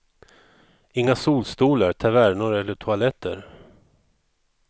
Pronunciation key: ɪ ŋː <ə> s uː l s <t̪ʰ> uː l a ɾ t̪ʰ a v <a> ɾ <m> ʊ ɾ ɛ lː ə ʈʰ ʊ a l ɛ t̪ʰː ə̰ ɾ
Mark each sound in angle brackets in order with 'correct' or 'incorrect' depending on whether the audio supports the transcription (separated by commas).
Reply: incorrect, incorrect, incorrect, incorrect